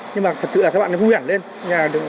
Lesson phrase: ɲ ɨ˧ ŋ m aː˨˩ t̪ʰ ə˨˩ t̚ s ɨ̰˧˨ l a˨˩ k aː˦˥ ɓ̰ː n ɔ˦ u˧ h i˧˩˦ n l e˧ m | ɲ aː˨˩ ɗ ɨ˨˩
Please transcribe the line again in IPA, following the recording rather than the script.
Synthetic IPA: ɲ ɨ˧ ŋ m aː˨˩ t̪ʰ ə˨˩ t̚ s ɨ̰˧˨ l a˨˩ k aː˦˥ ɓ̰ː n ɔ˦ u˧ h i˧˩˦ n l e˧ n | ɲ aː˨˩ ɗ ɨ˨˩